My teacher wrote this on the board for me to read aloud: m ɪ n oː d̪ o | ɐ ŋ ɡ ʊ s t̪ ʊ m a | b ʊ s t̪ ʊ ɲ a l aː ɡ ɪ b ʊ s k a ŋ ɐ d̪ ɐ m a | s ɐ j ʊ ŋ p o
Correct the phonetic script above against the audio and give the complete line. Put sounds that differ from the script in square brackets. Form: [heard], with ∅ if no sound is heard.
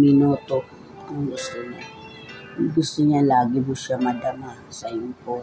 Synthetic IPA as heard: m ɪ n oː [t̪] o | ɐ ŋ ɡ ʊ s t̪ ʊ [ɲ] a | [ɡ] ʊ s t̪ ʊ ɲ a l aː ɡ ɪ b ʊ s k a [m] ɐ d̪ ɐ m a | s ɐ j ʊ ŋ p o